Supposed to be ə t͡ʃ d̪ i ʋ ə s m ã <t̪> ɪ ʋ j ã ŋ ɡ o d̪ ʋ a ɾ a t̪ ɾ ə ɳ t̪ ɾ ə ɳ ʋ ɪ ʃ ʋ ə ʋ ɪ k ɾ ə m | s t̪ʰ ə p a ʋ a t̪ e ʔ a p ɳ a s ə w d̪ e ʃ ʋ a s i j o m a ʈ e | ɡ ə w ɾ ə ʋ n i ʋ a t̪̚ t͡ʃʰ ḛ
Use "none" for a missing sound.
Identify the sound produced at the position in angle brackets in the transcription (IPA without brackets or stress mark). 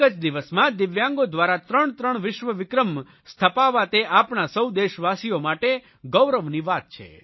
d̪